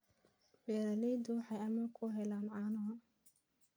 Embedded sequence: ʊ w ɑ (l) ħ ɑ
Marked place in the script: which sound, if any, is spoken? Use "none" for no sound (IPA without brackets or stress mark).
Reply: none